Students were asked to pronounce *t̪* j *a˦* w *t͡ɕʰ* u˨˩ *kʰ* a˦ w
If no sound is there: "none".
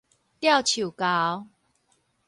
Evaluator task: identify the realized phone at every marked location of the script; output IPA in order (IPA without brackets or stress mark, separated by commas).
t̪, a˥˨, t͡ɕʰ, k